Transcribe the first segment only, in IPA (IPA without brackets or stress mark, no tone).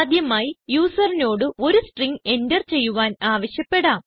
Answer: d̪